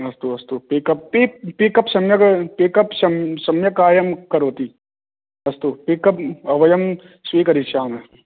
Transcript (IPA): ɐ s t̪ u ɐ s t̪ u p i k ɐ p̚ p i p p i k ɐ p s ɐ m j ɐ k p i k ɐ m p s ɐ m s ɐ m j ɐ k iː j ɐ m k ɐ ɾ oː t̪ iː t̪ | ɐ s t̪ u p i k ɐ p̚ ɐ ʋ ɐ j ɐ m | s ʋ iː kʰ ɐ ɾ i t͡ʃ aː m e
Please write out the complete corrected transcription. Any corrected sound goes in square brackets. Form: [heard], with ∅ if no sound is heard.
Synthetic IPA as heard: ɐ s t̪ u ɐ s t̪ u p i k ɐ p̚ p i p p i k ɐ p s ɐ m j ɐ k p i k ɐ [∅] p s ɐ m s ɐ m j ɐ k [aː] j ɐ m k ɐ ɾ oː t̪ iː [∅] | ɐ s t̪ u p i k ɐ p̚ ɐ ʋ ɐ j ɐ m | s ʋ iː [k] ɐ ɾ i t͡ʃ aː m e